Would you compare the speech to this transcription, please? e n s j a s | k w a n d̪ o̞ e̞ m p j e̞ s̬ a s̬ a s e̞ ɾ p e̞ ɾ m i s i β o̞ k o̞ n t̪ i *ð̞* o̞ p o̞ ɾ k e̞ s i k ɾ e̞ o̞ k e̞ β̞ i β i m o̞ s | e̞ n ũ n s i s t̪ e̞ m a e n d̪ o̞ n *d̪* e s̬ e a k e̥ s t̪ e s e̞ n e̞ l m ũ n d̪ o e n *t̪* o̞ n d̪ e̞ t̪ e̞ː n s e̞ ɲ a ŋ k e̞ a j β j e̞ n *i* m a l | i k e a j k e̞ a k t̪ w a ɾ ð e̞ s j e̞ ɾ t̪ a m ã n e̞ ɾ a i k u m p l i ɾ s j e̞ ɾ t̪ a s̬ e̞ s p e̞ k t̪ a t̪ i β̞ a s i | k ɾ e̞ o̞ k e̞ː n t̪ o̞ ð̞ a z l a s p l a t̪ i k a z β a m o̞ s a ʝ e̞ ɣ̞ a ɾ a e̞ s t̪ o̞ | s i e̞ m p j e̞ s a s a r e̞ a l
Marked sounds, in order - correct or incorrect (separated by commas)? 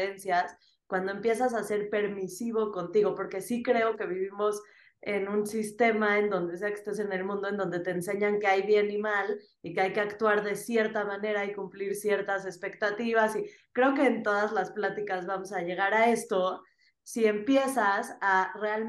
incorrect, correct, incorrect, correct